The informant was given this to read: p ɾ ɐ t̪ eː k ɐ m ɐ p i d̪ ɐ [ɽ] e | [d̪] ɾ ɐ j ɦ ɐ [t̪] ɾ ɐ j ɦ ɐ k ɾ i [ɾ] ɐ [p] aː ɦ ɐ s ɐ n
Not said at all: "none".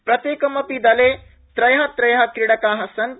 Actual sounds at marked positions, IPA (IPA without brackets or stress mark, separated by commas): l, t̪, t̪, ɽ, k